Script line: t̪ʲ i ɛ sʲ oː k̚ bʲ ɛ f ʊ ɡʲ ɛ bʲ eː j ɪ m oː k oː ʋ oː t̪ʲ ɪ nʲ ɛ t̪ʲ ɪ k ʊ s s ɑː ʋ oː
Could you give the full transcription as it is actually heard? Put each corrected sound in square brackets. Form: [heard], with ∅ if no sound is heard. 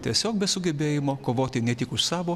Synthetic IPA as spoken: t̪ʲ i ɛ sʲ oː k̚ bʲ ɛ [s] ʊ ɡʲ ɛ bʲ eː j ɪ m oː k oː ʋ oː t̪ʲ ɪ nʲ ɛ t̪ʲ ɪ k ʊ [ʃ] s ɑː ʋ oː